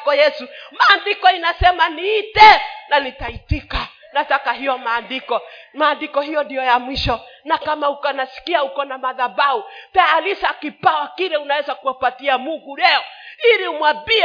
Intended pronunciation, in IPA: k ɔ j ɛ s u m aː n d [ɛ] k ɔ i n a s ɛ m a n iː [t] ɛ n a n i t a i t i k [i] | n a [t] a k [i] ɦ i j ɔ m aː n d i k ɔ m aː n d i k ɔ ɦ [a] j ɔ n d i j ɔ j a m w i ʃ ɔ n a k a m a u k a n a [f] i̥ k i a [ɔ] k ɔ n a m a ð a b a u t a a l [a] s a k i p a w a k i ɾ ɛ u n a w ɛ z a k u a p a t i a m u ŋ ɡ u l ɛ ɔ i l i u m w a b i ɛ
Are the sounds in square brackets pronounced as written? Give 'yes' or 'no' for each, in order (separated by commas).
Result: no, yes, no, yes, no, no, no, no, no